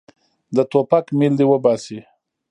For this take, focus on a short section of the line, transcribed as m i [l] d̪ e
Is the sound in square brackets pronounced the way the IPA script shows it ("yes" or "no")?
yes